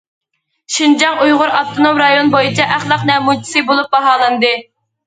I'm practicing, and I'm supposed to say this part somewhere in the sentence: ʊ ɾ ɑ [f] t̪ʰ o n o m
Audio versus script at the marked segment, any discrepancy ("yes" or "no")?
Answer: no